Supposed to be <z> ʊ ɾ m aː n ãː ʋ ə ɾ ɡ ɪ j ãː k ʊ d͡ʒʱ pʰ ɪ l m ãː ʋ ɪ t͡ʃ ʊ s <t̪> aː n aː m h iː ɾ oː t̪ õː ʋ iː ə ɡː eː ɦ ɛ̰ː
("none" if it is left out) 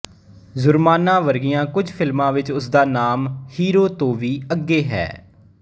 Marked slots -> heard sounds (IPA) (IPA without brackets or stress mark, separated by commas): z, d̪